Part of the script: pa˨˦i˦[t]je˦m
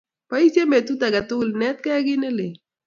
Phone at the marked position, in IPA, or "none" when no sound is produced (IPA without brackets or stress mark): s